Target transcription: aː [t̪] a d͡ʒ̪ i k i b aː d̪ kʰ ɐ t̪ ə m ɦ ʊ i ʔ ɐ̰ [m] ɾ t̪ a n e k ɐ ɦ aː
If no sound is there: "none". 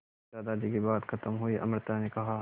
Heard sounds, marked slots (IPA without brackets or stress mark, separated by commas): d̪, m